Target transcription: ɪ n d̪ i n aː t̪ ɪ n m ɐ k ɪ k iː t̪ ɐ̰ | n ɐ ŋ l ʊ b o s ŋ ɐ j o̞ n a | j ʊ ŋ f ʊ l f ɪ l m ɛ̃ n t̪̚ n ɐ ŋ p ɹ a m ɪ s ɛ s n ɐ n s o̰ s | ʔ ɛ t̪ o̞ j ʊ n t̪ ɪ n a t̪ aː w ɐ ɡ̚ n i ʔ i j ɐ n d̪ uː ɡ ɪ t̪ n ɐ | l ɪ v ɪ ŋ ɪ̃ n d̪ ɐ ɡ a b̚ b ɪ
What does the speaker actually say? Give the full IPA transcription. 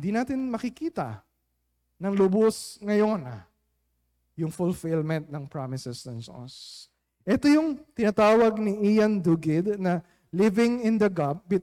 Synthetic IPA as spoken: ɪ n d̪ i n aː t̪ ɪ n m ɐ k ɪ k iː t̪ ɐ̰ | n ɐ ŋ l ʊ b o s ŋ ɐ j o̞ n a | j ʊ ŋ f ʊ l f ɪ l m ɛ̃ n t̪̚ n ɐ ŋ p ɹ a m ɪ s ɛ s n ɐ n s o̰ s | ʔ ɛ t̪ o̞ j ʊ ŋ t̪ ɪ n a t̪ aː w ɐ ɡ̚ n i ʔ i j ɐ n d̪ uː ɡ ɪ d̪ n ɐ | l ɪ v ɪ ŋ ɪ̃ n d̪ ɐ ɡ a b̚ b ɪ